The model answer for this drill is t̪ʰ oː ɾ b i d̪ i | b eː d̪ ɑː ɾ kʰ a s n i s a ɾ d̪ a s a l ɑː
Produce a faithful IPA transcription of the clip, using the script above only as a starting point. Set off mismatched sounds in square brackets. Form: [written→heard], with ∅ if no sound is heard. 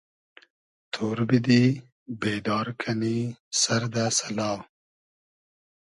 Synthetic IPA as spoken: t̪ʰ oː ɾ b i d̪ i | b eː d̪ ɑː ɾ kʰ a [s→∅] n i s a ɾ d̪ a s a l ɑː